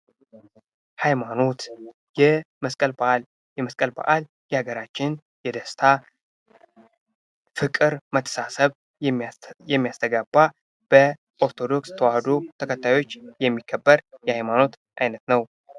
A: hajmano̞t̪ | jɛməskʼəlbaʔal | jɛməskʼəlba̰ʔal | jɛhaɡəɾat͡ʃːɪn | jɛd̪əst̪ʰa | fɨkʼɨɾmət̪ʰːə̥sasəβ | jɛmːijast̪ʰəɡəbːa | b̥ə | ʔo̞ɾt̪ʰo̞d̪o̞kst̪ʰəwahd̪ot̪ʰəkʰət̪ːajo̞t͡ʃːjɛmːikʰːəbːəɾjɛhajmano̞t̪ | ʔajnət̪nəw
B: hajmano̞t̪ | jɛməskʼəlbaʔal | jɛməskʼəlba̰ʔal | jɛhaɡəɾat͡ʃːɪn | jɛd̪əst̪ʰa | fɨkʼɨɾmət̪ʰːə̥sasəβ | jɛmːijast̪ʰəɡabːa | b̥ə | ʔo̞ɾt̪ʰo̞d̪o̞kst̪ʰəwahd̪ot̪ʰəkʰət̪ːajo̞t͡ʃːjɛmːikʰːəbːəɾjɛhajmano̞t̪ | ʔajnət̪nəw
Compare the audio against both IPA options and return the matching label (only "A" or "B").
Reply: B